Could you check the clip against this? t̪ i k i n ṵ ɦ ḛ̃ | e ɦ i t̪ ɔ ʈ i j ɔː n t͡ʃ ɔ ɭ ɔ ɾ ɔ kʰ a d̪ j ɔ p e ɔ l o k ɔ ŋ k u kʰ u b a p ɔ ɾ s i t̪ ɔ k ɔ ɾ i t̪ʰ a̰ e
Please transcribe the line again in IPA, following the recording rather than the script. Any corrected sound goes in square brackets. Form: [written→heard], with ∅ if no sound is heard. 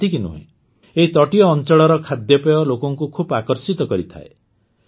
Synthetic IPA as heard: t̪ i k i n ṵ ɦ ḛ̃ | e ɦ i t̪ ɔ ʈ i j ɔː n t͡ʃ ɔ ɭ ɔ ɾ ɔ kʰ a d̪ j ɔ p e ɔ l o k ɔ ŋ k u kʰ u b a [p→k] ɔ ɾ s i t̪ ɔ k ɔ ɾ i t̪ʰ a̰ e